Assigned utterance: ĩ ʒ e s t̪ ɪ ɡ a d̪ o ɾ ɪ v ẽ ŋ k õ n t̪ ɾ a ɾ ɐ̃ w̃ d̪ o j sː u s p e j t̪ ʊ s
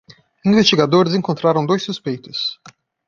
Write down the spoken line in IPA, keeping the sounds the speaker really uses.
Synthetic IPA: ĩ v e s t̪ i ɡ a d̪ o ɾ ɪ z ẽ ŋ k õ n t̪ ɾ a ɾ ɐ̃ w̃ d̪ o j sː u s p e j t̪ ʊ s